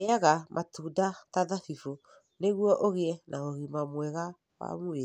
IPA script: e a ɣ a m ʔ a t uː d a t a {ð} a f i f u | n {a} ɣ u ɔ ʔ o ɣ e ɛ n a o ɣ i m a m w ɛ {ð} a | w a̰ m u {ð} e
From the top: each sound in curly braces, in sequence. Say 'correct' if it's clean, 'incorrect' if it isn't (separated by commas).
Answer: correct, incorrect, incorrect, incorrect